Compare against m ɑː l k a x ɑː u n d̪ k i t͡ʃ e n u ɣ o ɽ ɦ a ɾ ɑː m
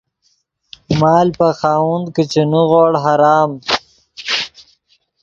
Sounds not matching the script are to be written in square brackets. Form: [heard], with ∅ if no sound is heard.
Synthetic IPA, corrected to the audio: m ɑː l [p] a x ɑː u n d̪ k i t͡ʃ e n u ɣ o ɽ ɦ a ɾ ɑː m